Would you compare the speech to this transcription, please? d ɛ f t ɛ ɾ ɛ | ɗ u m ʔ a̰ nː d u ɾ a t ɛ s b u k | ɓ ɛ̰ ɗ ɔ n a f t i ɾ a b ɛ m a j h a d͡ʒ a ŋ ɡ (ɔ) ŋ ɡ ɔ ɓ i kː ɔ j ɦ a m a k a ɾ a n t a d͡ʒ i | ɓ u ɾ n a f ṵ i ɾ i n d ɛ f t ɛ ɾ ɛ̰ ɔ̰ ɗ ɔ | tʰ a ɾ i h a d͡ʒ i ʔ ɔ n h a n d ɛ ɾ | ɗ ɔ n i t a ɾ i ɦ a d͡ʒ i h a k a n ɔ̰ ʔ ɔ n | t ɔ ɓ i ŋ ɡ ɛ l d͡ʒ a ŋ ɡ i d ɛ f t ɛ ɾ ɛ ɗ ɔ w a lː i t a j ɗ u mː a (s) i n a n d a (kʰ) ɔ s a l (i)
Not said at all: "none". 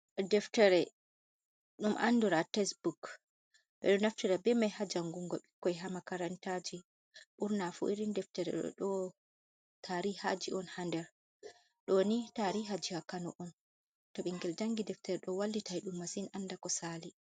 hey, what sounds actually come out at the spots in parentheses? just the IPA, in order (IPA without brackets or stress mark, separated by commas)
u, s, k, i